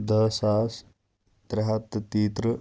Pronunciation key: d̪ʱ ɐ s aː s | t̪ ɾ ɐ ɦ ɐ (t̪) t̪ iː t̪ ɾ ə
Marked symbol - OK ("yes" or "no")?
yes